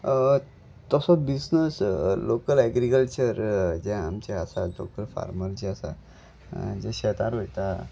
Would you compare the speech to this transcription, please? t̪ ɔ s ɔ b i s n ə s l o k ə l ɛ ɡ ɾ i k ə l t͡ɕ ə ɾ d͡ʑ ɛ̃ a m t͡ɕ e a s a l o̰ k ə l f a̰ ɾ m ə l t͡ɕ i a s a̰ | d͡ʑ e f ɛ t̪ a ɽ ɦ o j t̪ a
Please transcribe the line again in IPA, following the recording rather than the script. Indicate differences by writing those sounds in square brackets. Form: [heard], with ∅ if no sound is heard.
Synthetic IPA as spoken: t̪ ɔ s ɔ b i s n ə s l o k ə l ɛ ɡ ɾ i k ə l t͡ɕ ə ɾ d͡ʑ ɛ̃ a m t͡ɕ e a s a l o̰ k ə l f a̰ ɾ m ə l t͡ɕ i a s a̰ | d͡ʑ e [ɕ] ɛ t̪ a [ɾ] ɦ o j t̪ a